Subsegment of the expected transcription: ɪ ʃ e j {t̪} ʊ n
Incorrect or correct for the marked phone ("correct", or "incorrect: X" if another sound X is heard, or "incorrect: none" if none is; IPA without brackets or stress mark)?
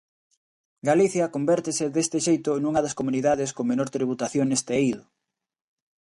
correct